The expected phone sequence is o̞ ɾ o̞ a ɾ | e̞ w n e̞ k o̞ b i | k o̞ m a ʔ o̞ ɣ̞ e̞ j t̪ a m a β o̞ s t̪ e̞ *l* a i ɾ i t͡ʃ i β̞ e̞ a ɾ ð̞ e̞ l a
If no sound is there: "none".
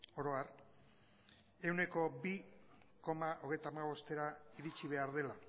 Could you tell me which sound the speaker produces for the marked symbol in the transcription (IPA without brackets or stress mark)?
ɾ